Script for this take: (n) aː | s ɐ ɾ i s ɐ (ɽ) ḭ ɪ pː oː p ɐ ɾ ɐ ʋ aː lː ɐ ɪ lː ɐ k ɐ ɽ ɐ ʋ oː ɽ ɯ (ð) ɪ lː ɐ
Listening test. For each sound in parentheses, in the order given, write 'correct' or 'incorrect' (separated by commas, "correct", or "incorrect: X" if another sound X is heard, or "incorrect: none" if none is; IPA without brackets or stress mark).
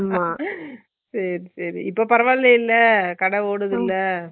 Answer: incorrect: m, incorrect: ɾ, correct